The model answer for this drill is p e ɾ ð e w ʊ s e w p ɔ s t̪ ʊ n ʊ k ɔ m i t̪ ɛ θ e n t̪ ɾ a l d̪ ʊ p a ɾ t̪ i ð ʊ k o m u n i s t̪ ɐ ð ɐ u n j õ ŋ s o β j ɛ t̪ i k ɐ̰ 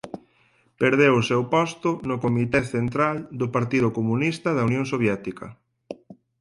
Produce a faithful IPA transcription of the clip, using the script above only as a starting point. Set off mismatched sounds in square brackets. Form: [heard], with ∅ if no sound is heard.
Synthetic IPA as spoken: p e ɾ ð e w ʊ s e w p ɔ s t̪ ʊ n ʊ k [o] m i t̪ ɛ θ e n t̪ ɾ a l d̪ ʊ p a ɾ t̪ i ð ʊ k o m u n i s t̪ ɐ ð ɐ u n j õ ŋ s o β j ɛ t̪ i k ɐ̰